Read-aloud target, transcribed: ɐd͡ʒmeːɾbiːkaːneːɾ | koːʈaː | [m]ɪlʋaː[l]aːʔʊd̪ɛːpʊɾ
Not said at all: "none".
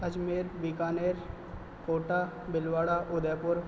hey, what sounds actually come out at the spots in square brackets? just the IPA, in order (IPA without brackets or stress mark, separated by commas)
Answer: b, ɽ